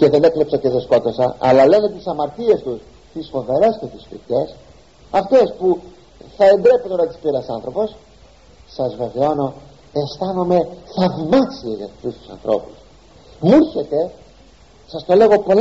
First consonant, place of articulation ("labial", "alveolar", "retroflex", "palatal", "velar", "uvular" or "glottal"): palatal